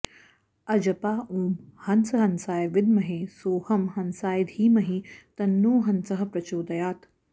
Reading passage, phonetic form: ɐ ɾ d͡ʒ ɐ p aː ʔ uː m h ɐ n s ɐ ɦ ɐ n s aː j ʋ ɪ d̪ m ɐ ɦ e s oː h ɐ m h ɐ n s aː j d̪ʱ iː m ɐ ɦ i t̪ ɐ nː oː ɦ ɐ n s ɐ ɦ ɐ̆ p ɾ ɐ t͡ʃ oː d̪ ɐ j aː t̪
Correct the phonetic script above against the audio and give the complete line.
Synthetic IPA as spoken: ɐ d͡ʒ ɐ p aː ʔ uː m h ɐ n s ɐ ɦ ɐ n s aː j ʋ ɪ d̪ m ɐ ɦ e s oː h ɐ m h ɐ n s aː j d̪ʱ iː m ɐ ɦ i t̪ ɐ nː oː ɦ ɐ n s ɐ ɦ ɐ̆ p ɾ ɐ t͡ʃ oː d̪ ɐ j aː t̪